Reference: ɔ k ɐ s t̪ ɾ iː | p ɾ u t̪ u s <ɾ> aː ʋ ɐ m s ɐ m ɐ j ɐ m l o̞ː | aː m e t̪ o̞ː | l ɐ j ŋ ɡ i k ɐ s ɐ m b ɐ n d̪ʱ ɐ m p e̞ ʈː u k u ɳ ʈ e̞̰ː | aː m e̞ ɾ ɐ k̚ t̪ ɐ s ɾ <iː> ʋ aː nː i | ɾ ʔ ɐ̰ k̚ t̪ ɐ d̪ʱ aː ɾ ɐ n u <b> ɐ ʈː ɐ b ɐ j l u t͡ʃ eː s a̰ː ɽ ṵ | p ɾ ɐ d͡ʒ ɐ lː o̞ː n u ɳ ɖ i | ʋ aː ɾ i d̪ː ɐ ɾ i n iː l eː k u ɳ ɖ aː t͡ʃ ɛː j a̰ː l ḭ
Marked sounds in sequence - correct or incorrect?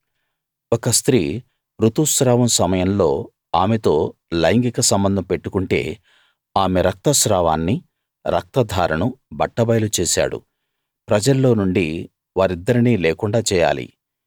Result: correct, incorrect: aː, correct

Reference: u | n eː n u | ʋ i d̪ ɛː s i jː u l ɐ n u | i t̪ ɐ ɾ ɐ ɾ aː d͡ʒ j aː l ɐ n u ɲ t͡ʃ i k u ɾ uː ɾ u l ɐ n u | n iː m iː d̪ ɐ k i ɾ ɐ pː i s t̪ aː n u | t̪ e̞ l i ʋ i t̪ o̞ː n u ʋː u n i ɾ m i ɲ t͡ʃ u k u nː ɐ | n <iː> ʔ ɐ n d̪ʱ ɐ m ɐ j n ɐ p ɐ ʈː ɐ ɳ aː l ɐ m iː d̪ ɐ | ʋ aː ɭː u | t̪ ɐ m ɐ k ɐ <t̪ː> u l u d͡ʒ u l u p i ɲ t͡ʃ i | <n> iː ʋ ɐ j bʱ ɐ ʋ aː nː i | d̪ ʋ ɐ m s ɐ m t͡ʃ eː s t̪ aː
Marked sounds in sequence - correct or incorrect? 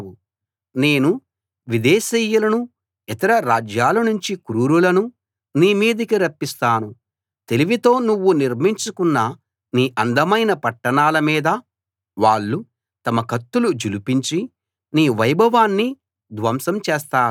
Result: correct, correct, correct

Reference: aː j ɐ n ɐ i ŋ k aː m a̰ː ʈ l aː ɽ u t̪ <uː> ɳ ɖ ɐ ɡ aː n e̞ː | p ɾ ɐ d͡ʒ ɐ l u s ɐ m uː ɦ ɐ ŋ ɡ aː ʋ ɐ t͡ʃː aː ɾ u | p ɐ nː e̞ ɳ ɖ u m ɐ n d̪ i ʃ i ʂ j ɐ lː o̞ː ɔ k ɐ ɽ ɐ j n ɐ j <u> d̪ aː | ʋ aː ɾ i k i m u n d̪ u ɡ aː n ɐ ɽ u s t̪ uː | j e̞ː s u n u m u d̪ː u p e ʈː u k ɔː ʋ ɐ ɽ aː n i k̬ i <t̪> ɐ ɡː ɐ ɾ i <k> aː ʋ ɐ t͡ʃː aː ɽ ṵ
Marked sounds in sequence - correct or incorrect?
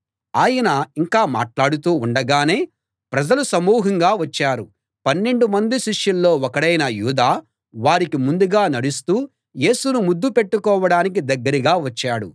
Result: correct, incorrect: uː, incorrect: d̪, incorrect: ɡ

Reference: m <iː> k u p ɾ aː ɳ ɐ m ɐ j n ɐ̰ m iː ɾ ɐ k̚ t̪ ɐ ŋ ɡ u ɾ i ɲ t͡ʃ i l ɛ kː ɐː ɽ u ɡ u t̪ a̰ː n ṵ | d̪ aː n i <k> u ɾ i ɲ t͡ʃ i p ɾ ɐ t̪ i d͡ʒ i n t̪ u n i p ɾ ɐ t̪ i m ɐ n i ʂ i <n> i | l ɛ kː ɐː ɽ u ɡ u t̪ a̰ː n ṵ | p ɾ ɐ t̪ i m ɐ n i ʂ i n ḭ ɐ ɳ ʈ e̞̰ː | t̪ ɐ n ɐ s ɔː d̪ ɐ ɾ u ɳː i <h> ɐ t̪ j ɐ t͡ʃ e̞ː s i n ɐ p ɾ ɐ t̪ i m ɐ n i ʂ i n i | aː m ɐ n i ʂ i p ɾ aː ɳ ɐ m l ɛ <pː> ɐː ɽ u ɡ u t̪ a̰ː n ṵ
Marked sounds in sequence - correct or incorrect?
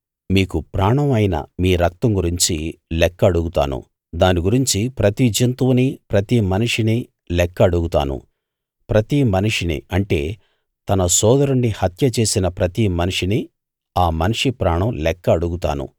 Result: correct, incorrect: ɡ, correct, correct, incorrect: kː

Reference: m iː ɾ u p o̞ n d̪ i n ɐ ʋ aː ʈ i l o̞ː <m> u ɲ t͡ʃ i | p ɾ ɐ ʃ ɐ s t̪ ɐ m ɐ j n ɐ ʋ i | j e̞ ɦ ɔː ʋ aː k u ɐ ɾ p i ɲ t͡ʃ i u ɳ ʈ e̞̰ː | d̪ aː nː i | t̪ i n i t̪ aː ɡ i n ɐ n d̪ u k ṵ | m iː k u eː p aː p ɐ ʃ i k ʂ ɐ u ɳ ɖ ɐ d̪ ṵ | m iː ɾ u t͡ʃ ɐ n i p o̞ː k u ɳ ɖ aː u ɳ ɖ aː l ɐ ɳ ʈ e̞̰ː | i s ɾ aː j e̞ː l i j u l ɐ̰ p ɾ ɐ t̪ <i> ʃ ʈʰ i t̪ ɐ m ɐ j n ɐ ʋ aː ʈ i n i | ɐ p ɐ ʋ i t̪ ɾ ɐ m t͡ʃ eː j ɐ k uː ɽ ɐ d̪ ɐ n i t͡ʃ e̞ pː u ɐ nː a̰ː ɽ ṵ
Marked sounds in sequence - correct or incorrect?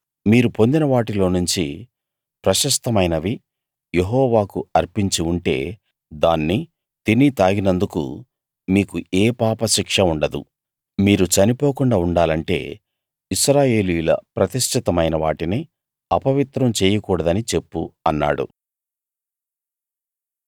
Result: incorrect: n, correct

